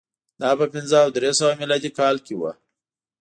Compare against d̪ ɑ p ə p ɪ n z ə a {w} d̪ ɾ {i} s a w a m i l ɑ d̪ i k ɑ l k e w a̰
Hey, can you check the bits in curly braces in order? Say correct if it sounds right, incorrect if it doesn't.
correct, incorrect

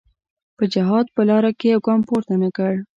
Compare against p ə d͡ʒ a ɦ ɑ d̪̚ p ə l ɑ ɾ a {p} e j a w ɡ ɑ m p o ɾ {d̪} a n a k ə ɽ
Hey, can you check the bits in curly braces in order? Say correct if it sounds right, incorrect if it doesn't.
incorrect, incorrect

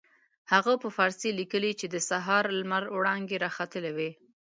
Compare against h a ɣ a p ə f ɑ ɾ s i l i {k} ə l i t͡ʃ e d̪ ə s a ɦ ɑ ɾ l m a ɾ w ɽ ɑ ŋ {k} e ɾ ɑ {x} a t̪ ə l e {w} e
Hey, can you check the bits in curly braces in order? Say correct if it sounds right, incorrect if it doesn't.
correct, incorrect, correct, correct

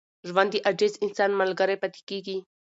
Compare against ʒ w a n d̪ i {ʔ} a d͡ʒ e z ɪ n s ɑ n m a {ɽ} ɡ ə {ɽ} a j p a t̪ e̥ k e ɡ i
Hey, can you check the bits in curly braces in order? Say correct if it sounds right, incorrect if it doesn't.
correct, incorrect, incorrect

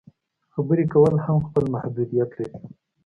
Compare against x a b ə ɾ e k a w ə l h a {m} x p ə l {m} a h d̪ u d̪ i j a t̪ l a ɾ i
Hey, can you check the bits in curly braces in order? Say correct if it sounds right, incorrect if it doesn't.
correct, correct

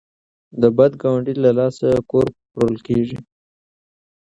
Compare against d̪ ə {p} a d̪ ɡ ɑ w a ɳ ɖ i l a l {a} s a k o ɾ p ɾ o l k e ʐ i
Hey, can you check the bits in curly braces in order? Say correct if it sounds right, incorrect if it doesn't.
incorrect, incorrect

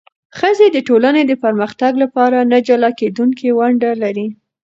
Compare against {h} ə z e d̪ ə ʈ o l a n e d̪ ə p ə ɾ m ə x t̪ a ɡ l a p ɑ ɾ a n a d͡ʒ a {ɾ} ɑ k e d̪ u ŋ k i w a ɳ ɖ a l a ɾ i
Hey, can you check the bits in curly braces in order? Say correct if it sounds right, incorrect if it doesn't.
incorrect, incorrect

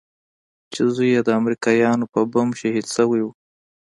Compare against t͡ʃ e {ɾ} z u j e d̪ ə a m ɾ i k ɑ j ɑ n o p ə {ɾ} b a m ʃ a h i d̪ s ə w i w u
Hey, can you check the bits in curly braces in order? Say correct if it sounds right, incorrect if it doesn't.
incorrect, incorrect

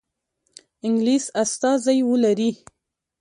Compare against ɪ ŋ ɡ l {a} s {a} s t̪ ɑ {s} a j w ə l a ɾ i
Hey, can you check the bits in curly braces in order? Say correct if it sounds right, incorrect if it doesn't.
incorrect, correct, incorrect

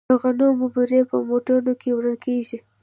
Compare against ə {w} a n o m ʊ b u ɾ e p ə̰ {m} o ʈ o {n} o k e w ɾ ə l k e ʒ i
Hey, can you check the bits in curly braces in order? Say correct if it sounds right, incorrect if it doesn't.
incorrect, correct, correct

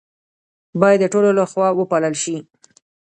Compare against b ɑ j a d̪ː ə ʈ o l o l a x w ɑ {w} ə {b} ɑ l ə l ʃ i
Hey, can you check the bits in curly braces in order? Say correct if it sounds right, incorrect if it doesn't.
correct, incorrect

